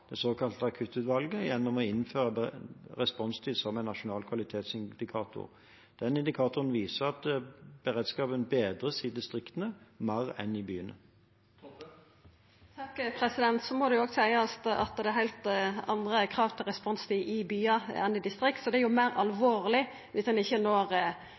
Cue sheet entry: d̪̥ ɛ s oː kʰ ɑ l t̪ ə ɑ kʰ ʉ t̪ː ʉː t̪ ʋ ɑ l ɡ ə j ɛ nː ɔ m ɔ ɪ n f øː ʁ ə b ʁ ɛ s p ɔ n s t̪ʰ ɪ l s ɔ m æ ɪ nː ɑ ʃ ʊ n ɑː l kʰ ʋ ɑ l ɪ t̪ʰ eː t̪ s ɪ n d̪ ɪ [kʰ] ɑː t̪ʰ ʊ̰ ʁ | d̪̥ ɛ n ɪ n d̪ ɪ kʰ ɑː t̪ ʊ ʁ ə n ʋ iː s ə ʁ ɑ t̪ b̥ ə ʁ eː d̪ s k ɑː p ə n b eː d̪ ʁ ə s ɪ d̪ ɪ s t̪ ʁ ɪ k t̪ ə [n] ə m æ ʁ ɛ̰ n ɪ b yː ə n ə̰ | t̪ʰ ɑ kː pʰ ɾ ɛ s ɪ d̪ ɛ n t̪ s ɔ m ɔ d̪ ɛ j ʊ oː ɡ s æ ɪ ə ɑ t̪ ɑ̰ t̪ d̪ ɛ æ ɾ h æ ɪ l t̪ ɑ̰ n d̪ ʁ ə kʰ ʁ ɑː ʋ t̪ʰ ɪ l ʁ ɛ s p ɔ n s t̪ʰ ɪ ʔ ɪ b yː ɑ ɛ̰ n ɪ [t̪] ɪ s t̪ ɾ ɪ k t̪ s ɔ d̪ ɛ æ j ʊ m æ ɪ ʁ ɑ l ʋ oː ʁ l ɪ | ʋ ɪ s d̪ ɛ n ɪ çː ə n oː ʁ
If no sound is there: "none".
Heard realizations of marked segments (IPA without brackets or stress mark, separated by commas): kʰ, n, d̪